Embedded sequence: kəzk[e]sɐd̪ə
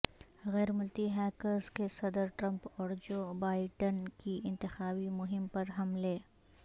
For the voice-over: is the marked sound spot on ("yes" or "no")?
yes